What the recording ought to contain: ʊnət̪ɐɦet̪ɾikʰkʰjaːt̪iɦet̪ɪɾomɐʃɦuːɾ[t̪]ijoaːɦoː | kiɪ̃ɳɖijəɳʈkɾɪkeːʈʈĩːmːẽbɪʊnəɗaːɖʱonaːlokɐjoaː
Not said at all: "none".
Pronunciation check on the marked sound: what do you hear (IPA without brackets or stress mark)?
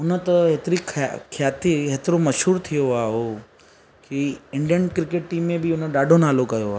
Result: t̪ʰ